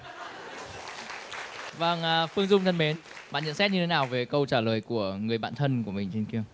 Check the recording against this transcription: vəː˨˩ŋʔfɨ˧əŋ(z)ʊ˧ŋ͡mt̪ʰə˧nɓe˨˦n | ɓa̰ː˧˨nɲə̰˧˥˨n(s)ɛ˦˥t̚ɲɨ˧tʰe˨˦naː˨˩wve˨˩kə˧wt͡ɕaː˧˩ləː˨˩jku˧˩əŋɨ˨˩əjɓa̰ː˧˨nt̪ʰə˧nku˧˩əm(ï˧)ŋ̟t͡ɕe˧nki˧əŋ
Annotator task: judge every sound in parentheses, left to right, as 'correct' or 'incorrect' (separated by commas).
correct, correct, incorrect